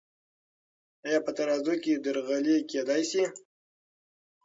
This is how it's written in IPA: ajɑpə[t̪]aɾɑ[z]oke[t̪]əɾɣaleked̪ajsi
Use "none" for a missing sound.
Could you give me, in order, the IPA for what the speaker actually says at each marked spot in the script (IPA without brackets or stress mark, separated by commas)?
t̪, z, d̪